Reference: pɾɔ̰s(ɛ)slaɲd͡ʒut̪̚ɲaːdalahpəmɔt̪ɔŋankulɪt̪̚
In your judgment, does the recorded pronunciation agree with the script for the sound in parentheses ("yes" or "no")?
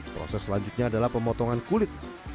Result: yes